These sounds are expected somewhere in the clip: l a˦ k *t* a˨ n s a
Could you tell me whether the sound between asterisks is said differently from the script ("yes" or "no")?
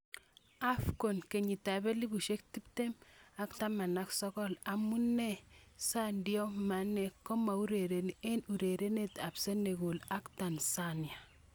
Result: no